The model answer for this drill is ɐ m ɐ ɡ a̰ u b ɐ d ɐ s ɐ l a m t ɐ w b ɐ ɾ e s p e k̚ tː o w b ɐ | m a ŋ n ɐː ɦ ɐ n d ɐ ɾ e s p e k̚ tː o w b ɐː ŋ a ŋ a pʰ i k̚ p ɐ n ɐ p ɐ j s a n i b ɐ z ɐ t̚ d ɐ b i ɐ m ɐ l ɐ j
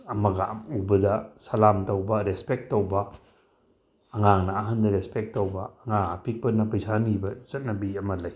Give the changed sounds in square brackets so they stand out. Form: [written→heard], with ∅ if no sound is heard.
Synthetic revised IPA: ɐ m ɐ ɡ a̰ u b ɐ d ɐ s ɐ l a m t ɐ w b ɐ ɾ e s p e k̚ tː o w b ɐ | [m→ŋ] a ŋ n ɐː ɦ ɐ n d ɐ ɾ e s p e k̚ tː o w b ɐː ŋ a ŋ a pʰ i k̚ p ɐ n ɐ p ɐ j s a n i b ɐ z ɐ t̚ [d→n] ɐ b i ɐ m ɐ l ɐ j